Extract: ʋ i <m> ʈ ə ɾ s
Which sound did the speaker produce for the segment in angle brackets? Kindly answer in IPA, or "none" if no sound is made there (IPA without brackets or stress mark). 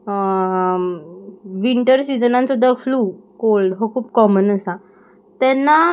ɳ